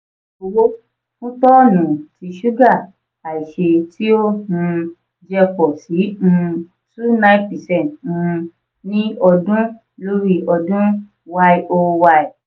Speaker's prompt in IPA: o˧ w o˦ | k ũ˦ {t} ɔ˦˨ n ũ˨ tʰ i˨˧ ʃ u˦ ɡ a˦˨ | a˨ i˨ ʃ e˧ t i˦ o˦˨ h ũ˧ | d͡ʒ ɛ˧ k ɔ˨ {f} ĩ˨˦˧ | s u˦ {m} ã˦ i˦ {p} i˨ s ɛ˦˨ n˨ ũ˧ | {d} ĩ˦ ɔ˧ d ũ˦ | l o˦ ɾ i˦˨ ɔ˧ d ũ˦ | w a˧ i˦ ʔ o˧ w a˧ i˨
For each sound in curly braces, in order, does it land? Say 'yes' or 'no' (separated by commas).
yes, no, no, yes, no